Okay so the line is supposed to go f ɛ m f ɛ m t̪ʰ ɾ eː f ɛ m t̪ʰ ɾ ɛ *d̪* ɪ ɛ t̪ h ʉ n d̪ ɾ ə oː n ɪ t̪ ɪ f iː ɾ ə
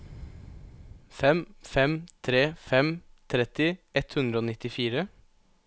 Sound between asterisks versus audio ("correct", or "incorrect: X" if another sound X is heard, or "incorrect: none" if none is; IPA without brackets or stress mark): incorrect: t̪